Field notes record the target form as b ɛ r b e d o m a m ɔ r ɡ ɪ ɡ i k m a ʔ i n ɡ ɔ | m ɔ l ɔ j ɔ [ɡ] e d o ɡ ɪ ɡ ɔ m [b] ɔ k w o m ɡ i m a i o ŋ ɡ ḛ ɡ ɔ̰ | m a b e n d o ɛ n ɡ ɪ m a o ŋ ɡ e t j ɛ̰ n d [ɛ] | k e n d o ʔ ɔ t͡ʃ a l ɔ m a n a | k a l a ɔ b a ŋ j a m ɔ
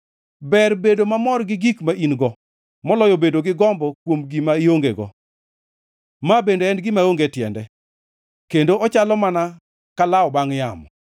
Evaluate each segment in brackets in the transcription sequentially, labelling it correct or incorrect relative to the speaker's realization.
incorrect: b, correct, correct

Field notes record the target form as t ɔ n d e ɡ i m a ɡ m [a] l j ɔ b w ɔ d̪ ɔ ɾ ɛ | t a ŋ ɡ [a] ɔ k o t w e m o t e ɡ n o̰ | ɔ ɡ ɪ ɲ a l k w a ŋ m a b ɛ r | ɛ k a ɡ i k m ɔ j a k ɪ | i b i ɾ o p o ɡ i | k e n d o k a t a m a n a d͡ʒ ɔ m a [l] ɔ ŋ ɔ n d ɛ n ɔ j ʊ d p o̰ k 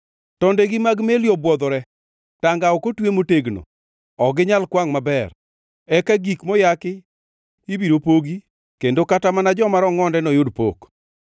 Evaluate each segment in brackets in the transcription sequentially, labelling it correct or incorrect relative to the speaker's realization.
incorrect: e, correct, incorrect: ɾ

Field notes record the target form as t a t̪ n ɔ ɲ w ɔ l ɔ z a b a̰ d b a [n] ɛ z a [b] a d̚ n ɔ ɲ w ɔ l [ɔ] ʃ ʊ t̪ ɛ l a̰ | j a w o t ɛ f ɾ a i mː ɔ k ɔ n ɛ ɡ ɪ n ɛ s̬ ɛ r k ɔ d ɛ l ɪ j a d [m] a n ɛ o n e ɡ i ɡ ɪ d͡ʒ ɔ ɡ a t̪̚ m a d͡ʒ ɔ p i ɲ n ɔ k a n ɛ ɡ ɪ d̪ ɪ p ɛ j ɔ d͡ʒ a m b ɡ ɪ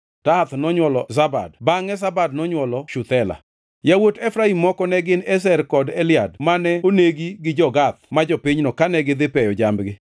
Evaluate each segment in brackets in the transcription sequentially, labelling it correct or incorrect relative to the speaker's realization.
incorrect: ŋ, correct, correct, correct

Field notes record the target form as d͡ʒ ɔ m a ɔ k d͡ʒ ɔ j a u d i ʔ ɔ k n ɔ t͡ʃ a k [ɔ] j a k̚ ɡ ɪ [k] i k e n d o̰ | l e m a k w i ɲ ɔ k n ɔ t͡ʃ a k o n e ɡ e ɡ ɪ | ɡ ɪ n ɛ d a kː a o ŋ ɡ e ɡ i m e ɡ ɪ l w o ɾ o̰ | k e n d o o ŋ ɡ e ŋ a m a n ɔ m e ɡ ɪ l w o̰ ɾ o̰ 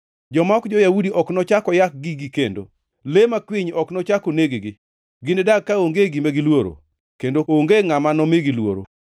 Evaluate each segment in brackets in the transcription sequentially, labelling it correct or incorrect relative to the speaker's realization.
correct, incorrect: ɡ

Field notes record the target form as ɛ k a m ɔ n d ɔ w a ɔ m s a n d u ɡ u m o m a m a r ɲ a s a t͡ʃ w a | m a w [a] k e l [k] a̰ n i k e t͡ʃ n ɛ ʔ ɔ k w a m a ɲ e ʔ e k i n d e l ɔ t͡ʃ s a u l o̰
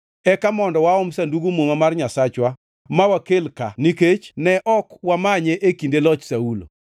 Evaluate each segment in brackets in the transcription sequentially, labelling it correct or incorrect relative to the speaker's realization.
correct, correct

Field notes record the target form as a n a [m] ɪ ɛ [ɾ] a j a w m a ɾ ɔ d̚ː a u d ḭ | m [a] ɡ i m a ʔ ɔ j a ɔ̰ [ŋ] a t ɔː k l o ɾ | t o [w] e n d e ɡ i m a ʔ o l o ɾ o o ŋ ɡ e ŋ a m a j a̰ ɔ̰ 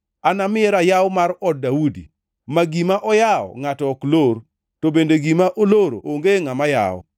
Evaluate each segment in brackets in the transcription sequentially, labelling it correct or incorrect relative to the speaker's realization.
correct, correct, correct, correct, incorrect: b

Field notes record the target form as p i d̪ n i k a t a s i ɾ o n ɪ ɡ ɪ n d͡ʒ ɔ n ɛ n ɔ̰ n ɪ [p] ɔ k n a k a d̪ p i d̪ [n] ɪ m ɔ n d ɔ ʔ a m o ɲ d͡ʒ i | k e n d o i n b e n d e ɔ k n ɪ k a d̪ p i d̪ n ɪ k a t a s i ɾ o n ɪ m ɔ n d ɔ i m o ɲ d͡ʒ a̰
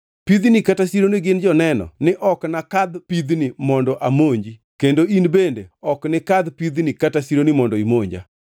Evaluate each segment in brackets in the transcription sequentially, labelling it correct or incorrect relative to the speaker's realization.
incorrect: ʔ, correct

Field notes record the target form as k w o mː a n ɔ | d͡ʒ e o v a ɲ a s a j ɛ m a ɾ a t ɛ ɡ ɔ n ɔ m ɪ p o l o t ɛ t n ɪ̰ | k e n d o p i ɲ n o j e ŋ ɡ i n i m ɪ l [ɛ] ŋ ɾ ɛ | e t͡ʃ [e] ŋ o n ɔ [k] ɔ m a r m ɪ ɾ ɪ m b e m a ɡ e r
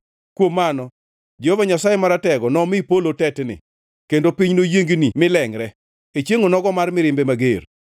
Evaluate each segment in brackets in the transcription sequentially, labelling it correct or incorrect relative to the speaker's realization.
correct, correct, incorrect: ɡ

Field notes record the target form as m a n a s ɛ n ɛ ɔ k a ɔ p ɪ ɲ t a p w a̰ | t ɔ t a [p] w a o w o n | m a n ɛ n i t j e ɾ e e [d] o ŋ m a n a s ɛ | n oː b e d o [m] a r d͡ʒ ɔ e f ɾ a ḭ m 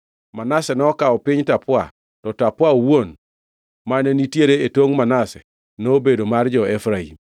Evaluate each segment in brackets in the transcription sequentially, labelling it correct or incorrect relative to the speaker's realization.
correct, incorrect: t, correct

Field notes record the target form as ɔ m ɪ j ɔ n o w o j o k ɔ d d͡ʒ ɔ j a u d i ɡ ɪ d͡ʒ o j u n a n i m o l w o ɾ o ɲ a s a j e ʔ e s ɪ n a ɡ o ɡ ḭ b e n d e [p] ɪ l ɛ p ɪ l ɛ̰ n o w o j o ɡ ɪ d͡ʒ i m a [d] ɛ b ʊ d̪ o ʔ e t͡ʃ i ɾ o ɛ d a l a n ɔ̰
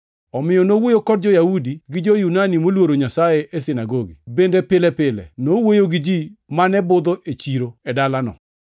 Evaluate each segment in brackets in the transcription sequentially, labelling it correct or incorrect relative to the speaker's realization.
correct, incorrect: n

